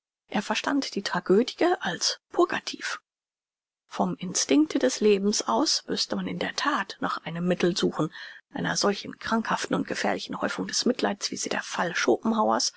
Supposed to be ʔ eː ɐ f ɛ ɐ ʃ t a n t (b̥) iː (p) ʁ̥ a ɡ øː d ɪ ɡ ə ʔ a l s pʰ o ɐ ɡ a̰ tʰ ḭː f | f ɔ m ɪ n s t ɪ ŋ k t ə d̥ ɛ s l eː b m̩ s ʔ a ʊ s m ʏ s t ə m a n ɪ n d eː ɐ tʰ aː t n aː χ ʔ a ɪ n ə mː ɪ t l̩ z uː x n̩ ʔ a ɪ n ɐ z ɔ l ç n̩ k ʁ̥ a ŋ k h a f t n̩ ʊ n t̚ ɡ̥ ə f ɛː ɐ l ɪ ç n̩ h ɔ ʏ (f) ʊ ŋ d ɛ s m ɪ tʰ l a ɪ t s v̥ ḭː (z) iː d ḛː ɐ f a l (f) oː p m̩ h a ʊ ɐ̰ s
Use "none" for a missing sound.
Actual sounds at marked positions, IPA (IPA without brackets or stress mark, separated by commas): d̥, t, f, z, ʃ